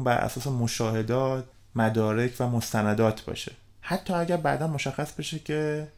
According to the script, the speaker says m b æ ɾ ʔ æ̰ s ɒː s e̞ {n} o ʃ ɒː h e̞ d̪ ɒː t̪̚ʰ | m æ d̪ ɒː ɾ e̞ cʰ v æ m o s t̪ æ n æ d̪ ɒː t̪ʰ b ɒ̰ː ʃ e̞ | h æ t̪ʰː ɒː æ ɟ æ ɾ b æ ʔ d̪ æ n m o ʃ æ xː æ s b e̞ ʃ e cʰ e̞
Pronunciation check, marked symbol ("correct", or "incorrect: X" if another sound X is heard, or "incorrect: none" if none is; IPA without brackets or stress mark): incorrect: m